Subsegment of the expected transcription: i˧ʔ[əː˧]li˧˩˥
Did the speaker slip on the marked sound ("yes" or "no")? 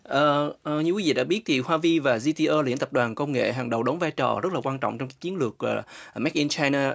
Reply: no